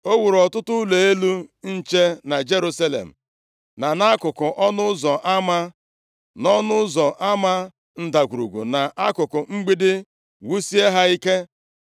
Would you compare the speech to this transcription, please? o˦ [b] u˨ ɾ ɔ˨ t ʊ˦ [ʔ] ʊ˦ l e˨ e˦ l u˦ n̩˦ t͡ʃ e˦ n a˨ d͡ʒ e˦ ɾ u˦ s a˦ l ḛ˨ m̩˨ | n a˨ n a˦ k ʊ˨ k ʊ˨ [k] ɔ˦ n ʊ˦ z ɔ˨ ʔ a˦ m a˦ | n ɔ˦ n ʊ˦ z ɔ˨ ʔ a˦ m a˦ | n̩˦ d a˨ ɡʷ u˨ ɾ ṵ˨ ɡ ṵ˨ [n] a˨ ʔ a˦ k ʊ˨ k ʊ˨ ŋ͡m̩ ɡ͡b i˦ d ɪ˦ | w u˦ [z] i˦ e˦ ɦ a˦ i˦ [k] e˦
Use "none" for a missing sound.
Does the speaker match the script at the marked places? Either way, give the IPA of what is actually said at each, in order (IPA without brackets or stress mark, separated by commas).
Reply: w, t, ʔ, n, s, k